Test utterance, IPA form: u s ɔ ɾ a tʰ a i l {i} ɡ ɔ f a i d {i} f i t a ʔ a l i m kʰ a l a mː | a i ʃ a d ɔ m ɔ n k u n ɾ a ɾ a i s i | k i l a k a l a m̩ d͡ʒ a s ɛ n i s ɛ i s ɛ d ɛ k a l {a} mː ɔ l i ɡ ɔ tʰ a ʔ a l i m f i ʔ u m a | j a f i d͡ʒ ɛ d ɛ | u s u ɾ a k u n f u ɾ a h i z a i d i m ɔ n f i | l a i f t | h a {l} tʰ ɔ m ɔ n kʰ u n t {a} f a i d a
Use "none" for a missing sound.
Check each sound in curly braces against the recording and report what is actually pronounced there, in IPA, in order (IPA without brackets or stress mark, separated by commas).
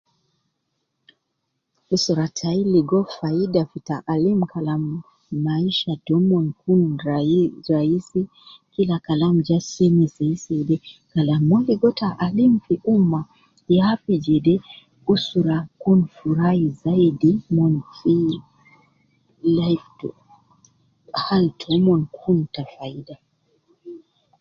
i, a, a, l, a